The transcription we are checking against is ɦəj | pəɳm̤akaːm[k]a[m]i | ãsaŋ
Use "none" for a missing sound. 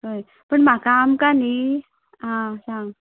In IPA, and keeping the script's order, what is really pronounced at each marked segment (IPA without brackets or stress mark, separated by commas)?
k, n